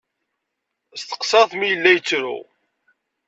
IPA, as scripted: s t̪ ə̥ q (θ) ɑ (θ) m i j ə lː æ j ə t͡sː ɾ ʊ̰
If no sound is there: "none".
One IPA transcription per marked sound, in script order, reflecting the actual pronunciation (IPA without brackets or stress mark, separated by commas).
s, θ